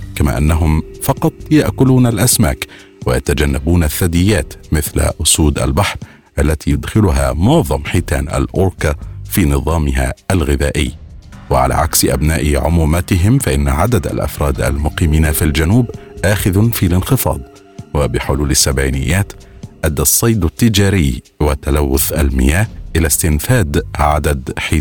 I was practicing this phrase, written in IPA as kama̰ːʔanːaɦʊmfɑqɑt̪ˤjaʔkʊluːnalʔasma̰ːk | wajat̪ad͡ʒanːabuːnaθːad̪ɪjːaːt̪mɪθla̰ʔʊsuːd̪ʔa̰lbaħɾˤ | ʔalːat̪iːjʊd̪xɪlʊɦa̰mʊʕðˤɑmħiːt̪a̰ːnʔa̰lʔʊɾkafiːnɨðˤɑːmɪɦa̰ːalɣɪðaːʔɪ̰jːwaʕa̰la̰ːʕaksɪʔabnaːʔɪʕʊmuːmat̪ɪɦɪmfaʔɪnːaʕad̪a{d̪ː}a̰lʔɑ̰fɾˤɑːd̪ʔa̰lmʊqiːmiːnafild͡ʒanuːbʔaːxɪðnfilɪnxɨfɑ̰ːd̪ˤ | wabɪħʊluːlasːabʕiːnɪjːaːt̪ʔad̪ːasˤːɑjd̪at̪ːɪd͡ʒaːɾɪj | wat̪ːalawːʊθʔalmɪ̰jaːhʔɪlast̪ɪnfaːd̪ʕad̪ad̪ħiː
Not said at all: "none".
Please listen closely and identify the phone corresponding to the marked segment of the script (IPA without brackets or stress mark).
d̪